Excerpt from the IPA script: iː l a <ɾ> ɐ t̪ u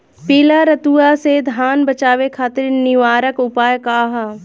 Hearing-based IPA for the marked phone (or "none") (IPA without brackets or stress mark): ɾ